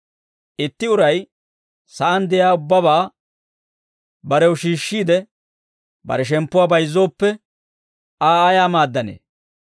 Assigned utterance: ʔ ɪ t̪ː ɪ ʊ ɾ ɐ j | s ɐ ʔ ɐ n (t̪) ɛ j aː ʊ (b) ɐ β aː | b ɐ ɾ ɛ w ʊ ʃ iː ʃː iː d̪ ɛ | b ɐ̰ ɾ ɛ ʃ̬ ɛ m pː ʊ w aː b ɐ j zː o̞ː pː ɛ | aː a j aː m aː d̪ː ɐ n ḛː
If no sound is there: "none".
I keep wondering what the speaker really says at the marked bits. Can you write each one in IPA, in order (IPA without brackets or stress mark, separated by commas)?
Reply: d̪, bː